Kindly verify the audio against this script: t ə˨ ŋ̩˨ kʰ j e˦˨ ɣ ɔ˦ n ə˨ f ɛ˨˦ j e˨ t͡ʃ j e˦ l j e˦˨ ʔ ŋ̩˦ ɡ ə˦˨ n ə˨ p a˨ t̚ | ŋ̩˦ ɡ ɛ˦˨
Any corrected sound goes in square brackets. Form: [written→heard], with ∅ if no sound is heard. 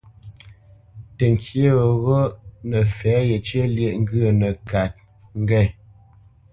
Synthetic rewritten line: t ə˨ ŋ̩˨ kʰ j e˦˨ ɣ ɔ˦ n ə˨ f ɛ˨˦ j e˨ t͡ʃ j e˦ l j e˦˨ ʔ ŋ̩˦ ɡ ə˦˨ n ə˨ [p→k] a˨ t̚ | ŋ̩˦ ɡ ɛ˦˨